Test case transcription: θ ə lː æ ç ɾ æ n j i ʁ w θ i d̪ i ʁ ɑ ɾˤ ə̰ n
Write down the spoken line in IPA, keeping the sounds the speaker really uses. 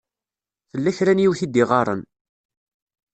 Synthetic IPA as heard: θ ə lː æ ç ɾ æ n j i w θ i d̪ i ʁ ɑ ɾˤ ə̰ n